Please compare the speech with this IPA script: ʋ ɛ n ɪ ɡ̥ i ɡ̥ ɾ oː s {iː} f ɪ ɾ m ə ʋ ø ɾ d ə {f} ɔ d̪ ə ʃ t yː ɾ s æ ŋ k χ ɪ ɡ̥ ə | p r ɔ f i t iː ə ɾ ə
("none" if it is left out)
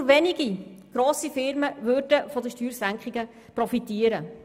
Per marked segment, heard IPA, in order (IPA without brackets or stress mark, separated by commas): i, f